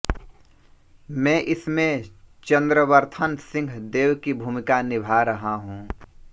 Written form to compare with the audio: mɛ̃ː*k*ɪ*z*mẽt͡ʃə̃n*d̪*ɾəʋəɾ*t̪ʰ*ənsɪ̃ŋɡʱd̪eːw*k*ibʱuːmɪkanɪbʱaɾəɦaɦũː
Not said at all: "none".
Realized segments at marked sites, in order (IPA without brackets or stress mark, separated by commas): ʔ, s, d̪, t̪ʰ, k